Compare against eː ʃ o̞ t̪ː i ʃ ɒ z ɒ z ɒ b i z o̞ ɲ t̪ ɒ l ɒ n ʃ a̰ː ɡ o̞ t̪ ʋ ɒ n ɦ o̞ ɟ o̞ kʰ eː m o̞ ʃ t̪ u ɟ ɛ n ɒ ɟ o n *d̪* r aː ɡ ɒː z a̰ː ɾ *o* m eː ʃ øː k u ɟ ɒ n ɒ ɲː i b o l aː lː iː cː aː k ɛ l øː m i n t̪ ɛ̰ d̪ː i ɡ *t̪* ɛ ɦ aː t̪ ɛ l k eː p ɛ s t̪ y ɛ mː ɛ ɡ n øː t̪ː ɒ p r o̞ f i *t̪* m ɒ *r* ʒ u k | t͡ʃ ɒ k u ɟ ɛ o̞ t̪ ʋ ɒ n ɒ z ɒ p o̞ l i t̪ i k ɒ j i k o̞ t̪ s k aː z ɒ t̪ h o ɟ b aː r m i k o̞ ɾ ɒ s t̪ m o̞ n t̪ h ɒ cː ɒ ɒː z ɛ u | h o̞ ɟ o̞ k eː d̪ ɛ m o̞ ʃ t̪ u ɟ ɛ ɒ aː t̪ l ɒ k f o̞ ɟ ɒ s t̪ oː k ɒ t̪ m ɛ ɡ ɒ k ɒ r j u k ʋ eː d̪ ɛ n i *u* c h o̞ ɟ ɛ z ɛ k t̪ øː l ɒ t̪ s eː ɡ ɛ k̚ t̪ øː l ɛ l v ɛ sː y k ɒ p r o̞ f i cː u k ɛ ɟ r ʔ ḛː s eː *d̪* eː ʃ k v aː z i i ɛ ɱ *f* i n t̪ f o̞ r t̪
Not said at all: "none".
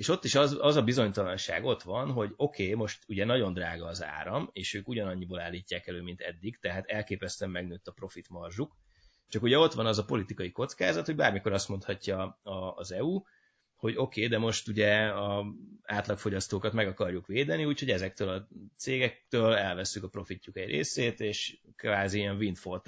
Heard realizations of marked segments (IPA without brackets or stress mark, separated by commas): d̪, ɒ, t̪, t̪, r, uː, t̪, v